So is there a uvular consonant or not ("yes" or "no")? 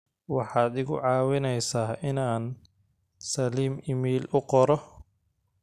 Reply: yes